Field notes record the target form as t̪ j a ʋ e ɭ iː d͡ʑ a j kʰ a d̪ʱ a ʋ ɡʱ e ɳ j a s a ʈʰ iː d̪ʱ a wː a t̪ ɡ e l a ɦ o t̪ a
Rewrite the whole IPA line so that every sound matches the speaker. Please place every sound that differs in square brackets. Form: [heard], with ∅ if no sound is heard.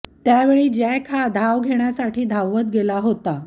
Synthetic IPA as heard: t̪ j a ʋ e ɭ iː d͡ʑ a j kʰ a d̪ʱ a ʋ ɡʱ e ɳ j a s a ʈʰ iː d̪ʱ a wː [ə] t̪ ɡ e l a ɦ o t̪ a